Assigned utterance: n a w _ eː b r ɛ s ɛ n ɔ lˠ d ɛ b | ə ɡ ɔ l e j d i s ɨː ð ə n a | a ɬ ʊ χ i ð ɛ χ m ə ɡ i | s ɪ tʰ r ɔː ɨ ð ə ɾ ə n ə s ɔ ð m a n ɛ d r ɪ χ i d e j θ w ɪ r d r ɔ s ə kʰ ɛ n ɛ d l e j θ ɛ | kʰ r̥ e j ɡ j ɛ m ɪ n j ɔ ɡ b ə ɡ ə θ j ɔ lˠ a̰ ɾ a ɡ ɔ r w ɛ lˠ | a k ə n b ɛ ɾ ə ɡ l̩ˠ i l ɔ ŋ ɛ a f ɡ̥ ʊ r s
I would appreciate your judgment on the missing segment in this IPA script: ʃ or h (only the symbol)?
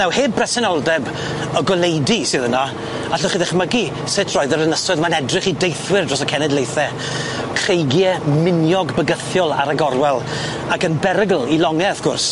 h